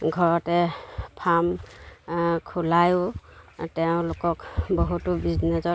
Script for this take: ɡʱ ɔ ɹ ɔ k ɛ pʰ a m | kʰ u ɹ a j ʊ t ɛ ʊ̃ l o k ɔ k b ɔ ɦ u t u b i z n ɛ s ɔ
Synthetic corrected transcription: ɡʱ ɔ ɹ ɔ t ɛ pʰ a m | kʰ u l a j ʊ t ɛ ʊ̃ l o k ɔ k b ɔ ɦ u t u b i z n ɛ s ɔ